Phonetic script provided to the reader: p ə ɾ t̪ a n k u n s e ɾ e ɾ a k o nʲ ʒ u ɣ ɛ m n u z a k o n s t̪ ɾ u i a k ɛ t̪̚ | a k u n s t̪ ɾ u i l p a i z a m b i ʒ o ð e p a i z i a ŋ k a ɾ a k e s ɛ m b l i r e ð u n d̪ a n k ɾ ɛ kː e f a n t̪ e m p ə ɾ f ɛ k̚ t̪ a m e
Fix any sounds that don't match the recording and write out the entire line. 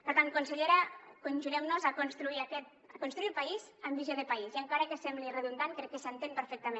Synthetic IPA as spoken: p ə ɾ t̪ a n k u n s e ʎ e ɾ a k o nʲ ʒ u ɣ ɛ m n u z a k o n s t̪ ɾ u i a k ɛ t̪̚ | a k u n s t̪ ɾ u i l p a i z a m b i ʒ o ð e p a i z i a ŋ k a ɾ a k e s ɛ m b l i r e ð u n d̪ a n k ɾ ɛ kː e s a n t̪ e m p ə ɾ f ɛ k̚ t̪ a m e